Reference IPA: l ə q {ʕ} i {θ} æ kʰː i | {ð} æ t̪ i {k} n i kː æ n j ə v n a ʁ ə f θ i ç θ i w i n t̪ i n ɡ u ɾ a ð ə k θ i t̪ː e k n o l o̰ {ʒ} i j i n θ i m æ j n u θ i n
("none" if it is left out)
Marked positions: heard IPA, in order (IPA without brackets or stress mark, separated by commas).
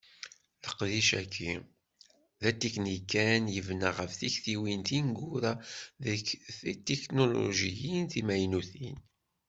ð, ʃ, ð, k, ʒ